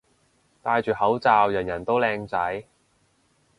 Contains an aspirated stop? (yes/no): no